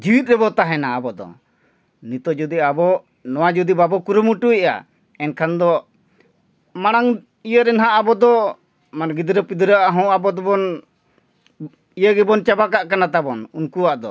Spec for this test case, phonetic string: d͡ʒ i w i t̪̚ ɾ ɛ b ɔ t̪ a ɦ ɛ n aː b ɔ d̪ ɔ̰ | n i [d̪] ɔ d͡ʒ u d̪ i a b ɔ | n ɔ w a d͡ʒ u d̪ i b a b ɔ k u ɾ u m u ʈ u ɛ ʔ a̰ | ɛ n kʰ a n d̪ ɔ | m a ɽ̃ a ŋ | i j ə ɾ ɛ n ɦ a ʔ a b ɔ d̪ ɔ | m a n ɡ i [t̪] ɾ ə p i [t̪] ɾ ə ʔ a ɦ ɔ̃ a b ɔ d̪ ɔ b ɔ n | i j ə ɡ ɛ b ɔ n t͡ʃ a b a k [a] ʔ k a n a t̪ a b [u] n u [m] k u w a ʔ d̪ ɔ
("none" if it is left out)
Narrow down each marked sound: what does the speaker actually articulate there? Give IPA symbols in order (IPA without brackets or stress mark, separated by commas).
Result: t̪, d̪, d̪, a, ɔ, n